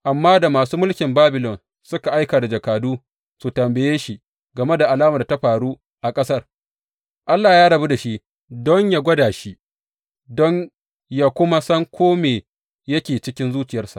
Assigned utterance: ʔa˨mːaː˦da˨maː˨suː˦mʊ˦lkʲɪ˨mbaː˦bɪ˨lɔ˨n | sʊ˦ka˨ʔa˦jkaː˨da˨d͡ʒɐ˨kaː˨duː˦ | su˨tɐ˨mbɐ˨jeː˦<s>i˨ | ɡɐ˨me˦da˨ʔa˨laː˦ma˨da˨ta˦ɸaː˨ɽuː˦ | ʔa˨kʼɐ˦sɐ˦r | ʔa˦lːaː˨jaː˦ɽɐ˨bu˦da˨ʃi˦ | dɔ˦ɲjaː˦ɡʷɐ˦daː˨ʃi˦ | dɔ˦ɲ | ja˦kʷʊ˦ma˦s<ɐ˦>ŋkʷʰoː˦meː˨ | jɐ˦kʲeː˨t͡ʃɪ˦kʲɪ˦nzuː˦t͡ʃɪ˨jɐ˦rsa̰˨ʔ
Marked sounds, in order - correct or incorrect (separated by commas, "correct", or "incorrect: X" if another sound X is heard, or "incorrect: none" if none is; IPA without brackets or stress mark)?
incorrect: ʃ, correct